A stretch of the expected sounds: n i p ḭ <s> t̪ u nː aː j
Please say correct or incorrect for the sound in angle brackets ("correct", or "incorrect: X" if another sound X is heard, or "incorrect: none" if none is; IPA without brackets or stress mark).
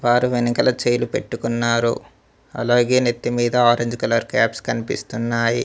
correct